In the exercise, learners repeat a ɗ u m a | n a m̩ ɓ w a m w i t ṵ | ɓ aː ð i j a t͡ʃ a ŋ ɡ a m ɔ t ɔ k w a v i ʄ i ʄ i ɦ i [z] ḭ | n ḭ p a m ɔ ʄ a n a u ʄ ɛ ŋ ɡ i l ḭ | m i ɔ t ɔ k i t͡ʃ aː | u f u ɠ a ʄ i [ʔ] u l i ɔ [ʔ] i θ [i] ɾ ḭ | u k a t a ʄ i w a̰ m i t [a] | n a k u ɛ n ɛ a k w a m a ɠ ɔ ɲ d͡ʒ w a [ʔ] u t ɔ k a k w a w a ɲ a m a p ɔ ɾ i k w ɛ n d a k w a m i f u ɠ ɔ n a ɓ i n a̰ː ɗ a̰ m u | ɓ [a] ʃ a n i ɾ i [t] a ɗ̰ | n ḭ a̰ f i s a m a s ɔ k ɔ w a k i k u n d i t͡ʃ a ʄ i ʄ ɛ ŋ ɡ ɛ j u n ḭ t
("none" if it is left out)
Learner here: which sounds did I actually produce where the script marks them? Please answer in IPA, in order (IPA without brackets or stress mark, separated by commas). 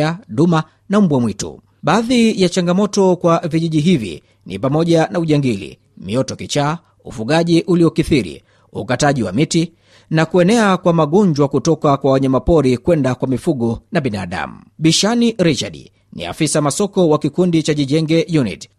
v, ʔ, k, i, i, k, i, t͡ʃ